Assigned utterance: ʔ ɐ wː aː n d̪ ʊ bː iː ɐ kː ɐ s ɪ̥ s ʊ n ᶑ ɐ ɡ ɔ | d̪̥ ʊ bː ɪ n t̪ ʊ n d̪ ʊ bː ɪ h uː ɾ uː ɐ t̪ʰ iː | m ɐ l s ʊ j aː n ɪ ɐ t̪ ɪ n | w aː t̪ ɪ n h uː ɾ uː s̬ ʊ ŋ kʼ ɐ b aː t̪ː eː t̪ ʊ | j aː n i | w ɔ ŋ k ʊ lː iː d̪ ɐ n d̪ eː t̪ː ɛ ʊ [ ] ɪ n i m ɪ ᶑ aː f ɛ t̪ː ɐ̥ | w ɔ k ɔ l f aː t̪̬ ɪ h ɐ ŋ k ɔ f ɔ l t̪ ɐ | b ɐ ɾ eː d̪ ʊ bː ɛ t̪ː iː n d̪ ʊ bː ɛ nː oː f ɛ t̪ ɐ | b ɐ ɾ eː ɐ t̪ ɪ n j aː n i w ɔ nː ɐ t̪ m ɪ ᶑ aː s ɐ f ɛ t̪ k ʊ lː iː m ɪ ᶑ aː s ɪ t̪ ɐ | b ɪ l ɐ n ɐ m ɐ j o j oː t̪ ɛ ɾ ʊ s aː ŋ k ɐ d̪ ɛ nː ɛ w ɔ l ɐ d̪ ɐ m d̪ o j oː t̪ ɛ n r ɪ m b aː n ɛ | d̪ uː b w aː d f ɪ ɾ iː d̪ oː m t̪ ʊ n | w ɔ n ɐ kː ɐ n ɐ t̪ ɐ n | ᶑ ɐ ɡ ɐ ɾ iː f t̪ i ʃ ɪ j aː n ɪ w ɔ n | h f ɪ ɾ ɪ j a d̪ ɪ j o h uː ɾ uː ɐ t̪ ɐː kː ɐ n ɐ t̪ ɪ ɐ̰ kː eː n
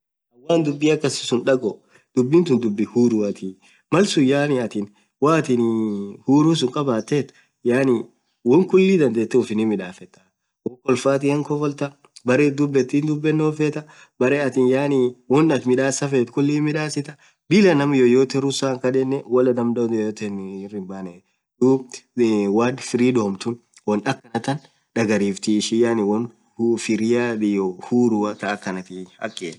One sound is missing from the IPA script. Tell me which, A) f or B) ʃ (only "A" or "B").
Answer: A